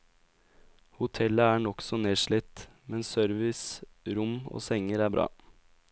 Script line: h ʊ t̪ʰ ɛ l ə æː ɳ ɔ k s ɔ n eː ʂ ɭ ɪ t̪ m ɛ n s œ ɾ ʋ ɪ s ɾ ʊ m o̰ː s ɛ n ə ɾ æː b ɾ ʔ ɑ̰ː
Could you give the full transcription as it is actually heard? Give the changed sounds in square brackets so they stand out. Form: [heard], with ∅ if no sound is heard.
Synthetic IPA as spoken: h ʊ t̪ʰ ɛ l ə æː ɳ ɔ k s ɔ n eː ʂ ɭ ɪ t̪ m ɛ n s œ ɾ ʋ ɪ s ɾ ʊ m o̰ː s ɛ [ŋ] ə ɾ æː b ɾ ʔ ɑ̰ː